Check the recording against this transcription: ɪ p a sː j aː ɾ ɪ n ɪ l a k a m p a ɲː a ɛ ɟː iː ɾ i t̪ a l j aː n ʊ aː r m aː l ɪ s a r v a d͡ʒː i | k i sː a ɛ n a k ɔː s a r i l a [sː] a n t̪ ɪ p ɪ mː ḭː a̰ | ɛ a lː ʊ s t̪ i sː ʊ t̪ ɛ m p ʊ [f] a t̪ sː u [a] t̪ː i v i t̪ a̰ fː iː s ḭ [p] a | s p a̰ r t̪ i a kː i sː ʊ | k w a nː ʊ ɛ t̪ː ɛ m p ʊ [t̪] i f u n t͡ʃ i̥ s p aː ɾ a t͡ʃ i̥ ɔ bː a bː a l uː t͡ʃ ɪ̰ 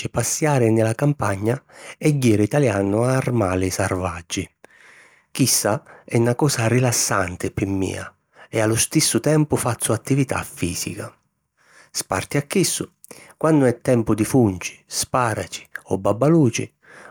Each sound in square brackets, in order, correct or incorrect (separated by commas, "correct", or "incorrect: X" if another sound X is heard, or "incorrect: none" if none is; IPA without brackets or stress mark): correct, correct, correct, incorrect: k, incorrect: d̪